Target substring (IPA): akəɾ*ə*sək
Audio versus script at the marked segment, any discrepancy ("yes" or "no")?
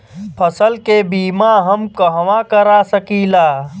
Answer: yes